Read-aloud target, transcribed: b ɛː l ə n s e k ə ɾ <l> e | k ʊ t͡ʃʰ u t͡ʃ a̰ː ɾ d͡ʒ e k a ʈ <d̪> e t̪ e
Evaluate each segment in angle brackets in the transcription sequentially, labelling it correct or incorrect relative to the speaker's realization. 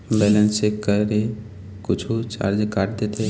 incorrect, correct

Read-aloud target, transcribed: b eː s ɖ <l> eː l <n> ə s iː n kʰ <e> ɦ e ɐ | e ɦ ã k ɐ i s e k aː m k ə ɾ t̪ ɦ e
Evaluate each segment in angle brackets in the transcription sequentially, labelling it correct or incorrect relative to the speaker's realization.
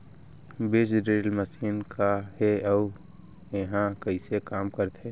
incorrect, incorrect, incorrect

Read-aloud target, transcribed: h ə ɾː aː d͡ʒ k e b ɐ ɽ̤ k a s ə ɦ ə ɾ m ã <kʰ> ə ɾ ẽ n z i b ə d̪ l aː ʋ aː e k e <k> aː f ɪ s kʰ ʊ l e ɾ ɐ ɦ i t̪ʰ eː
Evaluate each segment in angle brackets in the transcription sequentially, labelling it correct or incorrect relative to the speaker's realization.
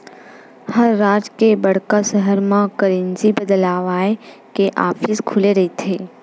incorrect, incorrect

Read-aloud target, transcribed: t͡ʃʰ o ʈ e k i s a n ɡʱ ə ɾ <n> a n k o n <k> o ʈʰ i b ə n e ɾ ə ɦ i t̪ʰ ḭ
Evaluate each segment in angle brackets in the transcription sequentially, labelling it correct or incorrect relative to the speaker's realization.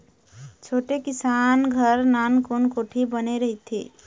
correct, correct

